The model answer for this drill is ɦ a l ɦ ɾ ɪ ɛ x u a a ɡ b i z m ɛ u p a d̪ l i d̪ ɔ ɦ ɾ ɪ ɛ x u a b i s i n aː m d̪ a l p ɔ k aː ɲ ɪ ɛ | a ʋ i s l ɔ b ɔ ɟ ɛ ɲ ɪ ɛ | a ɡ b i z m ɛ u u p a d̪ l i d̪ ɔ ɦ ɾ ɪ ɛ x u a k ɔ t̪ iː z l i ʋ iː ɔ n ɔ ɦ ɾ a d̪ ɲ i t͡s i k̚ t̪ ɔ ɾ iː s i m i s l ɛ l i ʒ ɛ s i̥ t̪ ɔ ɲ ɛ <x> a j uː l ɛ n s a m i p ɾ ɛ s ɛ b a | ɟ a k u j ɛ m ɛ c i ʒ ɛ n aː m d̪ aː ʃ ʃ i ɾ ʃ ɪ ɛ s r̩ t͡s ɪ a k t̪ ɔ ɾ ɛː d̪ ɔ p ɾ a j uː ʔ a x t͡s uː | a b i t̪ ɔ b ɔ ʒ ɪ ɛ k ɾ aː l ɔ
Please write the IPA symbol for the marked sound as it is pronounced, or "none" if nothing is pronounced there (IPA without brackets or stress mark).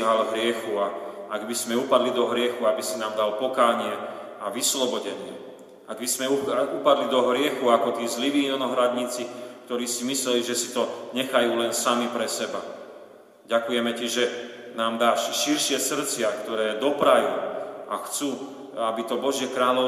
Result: x